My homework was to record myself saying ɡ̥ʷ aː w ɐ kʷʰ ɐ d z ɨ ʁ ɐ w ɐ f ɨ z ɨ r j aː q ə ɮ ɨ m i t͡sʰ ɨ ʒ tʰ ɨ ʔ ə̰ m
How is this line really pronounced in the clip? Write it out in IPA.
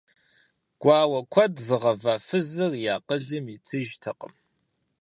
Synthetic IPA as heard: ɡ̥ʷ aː w ɐ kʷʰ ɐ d z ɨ ʁ ɐ v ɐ f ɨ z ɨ r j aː q ə ɮ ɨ m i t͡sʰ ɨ ʒ tʰ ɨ q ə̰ m